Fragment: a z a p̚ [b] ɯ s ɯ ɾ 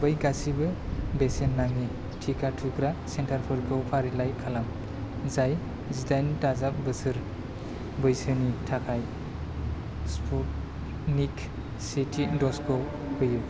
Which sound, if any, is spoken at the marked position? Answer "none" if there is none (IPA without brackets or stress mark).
b